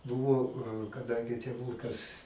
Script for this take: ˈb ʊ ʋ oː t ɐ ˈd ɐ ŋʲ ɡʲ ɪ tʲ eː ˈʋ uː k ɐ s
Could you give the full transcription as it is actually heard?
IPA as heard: ˈb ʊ ʋ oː k ɐ ˈd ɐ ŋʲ ɡʲ ɪ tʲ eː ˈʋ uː k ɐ s